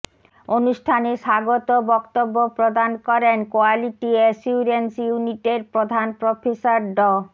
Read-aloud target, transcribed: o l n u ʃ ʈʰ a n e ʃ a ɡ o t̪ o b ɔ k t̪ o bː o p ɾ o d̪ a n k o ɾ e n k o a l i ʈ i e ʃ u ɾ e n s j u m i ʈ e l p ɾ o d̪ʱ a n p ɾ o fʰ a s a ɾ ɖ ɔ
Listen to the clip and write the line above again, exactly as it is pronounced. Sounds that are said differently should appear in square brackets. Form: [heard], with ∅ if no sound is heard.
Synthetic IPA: o [∅] n u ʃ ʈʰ a n e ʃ a ɡ o t̪ o b ɔ k t̪ o bː o p ɾ o d̪ a n k [ɔ] ɾ e n k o a l i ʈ i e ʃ u ɾ e n s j u [n] i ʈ e [ɾ] p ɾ o d̪ʱ a n p ɾ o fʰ [e] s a ɾ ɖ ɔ